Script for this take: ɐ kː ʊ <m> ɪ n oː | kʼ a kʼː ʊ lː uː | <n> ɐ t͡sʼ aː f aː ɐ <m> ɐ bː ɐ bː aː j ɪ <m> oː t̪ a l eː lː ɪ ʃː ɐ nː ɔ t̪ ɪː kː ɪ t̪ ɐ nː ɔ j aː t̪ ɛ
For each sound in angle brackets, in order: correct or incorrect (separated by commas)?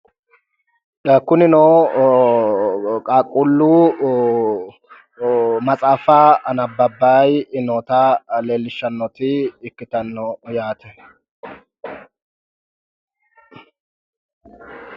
incorrect, incorrect, incorrect, incorrect